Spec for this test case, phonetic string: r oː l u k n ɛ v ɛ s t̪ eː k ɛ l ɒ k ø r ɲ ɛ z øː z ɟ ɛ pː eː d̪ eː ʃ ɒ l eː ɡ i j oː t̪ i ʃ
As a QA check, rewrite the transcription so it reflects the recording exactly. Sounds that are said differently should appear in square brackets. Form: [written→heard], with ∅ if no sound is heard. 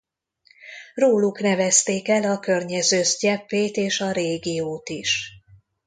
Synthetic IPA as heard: r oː l u k n ɛ v ɛ s t̪ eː k ɛ l ɒ k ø r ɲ ɛ z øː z ɟ ɛ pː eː [d̪→t̪] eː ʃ ɒ [l→ɾ] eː ɡ i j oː t̪ i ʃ